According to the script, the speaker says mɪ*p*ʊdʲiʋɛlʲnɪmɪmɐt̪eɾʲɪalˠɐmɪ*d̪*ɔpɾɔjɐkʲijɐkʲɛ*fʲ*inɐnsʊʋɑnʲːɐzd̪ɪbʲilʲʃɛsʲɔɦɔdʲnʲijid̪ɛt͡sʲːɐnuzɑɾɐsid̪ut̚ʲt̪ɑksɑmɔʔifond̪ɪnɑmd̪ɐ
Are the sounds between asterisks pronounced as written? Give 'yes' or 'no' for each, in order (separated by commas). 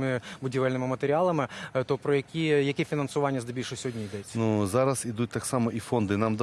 no, no, yes